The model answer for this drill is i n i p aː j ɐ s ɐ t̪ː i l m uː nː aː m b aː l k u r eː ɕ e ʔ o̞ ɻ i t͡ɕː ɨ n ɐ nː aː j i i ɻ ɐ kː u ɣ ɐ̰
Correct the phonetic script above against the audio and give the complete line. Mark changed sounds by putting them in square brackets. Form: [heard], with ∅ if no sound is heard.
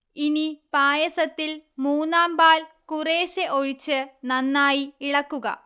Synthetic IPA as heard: i n i p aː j ɐ s ɐ t̪ː i l m uː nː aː m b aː l k u r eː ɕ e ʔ o̞ ɻ i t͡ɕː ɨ n ɐ nː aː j i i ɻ ɐ kː u ɣ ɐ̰